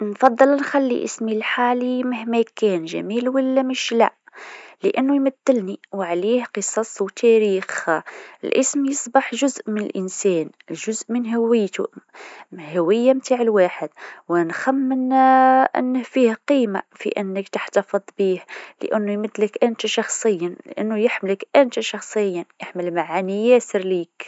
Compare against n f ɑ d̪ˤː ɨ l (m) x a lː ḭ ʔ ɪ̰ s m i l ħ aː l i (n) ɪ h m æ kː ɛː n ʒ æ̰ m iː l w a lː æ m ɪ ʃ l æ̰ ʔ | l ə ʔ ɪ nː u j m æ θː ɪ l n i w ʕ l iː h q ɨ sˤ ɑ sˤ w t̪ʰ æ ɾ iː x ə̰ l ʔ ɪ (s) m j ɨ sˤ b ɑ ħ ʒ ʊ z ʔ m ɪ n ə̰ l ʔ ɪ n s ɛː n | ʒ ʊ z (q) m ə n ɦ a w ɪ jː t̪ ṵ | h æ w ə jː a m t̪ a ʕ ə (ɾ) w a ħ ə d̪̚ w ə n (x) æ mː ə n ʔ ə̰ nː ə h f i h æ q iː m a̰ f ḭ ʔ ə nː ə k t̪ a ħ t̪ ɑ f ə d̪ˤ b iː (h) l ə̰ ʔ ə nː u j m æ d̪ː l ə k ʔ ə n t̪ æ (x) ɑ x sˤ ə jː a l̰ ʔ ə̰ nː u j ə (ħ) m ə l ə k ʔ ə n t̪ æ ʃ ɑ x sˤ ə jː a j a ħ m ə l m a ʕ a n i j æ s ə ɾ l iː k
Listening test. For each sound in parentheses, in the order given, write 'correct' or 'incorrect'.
incorrect: n, incorrect: m, correct, incorrect: ʔ, incorrect: l, correct, correct, incorrect: ʃ, correct

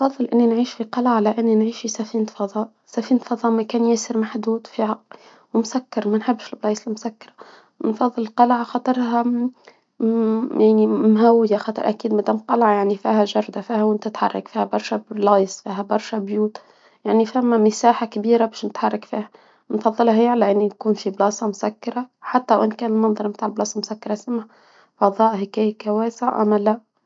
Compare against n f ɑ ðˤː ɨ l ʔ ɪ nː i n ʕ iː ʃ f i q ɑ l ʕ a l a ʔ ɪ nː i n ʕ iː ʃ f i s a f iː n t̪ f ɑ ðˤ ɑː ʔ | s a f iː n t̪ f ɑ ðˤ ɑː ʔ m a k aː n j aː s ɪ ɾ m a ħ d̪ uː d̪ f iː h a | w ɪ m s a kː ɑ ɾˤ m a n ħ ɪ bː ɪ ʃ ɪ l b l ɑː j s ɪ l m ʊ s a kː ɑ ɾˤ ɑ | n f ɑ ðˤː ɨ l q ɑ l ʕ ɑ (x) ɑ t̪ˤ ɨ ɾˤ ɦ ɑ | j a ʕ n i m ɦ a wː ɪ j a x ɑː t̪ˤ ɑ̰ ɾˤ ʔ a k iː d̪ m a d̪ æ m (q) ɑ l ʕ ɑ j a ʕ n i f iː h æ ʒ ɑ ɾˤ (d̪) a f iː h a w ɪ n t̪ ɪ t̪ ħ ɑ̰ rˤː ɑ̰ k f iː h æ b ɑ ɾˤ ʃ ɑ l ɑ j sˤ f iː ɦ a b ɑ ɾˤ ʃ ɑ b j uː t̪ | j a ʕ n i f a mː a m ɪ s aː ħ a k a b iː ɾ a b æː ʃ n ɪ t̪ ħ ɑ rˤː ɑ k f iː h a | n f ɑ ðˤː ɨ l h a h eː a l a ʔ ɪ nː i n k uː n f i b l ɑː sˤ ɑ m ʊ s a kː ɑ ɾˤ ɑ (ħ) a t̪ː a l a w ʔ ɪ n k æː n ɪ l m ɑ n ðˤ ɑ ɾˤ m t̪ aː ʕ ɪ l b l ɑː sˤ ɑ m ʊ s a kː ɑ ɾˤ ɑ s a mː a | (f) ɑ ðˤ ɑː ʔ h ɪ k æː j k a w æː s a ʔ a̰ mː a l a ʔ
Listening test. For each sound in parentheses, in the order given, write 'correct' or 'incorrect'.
correct, correct, correct, correct, correct

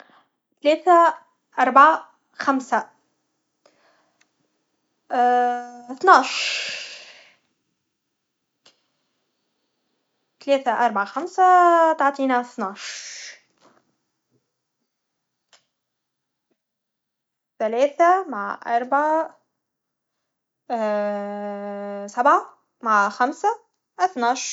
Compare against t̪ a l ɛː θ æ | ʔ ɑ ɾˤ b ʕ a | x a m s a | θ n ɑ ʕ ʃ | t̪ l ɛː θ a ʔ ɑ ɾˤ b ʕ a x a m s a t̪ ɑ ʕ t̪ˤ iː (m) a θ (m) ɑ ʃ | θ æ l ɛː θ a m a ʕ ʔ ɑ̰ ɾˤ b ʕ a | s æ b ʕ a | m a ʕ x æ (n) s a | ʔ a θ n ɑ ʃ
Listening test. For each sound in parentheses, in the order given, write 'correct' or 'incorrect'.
incorrect: n, incorrect: n, incorrect: m

